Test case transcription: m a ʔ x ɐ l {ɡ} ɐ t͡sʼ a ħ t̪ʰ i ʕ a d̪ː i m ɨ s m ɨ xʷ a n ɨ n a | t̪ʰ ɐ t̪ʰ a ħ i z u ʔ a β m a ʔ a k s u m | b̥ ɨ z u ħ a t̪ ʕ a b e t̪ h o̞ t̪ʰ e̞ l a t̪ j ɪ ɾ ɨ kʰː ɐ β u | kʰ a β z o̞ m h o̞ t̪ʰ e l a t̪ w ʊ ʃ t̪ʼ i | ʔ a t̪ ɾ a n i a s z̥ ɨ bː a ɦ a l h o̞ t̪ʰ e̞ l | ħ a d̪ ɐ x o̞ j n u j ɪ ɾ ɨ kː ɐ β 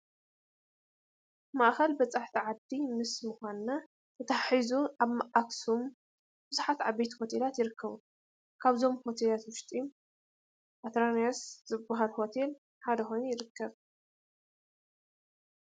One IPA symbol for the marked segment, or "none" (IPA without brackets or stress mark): b